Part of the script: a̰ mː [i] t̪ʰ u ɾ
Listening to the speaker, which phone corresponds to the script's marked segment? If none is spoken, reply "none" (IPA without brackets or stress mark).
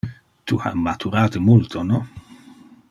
a